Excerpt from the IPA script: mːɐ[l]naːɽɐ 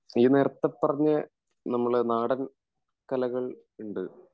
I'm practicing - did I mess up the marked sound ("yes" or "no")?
yes